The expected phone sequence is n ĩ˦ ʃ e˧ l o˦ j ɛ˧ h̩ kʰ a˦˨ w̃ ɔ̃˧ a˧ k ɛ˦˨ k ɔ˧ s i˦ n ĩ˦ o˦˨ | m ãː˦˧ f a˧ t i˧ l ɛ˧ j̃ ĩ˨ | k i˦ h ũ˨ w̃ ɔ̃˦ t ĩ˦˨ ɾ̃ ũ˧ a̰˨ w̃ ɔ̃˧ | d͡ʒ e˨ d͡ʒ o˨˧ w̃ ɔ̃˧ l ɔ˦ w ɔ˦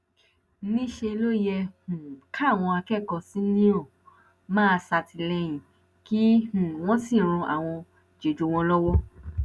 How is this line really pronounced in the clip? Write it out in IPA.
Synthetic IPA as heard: n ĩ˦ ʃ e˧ l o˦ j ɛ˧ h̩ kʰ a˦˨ w̃ ɔ̃˧ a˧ k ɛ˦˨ k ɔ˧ s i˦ n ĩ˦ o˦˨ | m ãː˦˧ s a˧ t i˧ l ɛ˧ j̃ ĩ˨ | k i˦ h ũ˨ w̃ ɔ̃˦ s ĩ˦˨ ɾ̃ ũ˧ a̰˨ w̃ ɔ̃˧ | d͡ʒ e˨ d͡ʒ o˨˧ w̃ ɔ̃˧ l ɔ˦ w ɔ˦